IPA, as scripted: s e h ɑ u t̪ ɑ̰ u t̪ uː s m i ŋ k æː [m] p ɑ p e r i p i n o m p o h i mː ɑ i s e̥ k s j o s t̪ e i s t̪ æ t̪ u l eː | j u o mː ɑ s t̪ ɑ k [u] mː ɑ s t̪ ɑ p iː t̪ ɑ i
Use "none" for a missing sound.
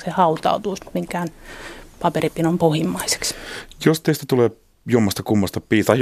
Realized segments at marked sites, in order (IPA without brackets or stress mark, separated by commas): n, u